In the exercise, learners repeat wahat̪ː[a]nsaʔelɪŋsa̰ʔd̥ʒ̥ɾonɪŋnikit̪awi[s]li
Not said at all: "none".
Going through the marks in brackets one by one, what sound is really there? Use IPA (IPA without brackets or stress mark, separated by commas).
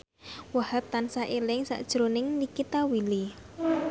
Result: a, none